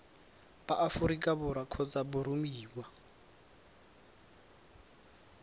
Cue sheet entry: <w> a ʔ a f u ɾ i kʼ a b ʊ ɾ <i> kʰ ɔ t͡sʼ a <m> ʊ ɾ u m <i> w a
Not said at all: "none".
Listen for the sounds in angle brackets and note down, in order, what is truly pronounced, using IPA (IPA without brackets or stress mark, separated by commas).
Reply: b, a, b, iː